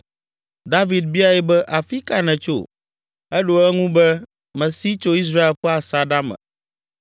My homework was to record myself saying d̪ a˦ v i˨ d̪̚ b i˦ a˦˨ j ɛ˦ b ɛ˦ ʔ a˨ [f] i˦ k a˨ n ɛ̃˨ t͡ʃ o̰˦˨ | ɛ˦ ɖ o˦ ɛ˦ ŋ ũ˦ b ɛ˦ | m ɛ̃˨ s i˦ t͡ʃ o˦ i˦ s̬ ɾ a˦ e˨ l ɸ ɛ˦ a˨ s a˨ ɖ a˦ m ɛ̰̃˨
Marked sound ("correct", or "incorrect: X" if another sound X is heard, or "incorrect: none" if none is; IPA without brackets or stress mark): correct